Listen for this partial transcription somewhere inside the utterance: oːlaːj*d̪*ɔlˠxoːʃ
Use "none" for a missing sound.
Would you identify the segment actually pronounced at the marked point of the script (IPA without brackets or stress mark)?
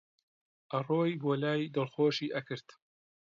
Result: d̪